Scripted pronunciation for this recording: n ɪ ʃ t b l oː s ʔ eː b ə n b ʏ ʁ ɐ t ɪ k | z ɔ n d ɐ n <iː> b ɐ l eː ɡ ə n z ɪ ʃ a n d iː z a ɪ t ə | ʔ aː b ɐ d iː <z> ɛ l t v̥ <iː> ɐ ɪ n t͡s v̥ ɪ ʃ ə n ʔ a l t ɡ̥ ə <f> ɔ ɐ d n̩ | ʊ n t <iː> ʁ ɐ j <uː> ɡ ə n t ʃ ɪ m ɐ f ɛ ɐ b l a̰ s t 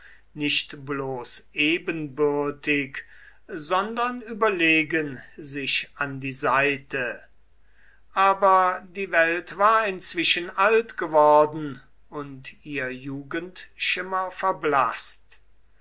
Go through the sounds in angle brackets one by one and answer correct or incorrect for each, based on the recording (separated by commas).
incorrect, incorrect, incorrect, incorrect, correct, correct